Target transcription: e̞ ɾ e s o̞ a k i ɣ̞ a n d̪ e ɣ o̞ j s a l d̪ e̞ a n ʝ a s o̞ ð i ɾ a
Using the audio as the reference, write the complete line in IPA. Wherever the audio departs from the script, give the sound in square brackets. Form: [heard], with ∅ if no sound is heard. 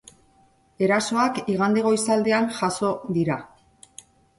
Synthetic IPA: e̞ ɾ [a] s o̞ a k i ɣ̞ a n d̪ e ɣ o̞ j s a l d̪ e̞ a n ʝ a s o̞ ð i ɾ a